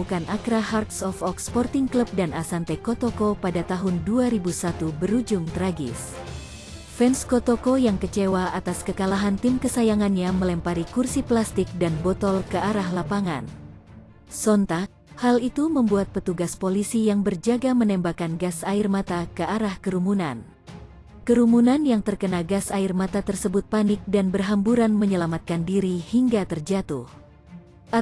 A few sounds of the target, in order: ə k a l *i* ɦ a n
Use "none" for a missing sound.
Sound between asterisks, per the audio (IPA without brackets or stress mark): a